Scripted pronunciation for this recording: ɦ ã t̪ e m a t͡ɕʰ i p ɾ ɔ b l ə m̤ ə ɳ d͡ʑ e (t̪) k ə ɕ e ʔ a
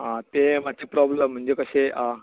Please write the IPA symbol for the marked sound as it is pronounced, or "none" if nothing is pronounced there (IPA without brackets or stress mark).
none